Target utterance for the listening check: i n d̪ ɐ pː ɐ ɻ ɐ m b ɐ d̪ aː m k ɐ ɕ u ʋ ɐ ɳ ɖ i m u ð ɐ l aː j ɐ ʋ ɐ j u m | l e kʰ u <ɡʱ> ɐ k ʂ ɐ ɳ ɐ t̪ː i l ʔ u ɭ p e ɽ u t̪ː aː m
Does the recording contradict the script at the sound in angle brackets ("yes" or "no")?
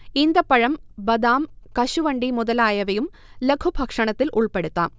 yes